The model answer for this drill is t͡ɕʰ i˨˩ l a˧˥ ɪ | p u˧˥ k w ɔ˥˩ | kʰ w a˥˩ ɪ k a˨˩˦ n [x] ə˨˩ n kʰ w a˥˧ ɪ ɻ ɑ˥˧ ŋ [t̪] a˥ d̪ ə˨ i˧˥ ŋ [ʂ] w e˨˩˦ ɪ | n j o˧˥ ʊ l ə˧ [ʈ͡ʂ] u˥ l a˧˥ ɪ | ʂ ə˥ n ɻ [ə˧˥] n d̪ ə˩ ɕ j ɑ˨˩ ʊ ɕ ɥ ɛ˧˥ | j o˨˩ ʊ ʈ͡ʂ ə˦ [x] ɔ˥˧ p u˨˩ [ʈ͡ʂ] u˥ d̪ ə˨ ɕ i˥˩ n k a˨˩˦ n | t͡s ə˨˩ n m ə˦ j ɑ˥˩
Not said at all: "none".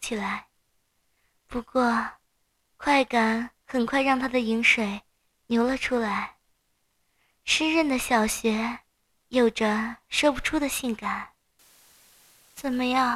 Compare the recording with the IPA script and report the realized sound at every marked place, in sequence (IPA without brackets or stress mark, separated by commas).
x, t̪ʰ, ʂ, ʈ͡ʂʰ, ə˥˩, ʂ, ʈ͡ʂʰ